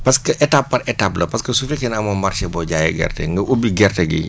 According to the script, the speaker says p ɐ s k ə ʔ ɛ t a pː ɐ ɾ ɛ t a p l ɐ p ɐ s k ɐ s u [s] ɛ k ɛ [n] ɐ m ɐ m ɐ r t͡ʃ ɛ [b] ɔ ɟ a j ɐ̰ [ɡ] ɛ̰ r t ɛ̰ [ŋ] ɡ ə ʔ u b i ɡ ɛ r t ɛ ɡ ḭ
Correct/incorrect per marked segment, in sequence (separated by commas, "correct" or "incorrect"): incorrect, correct, correct, correct, correct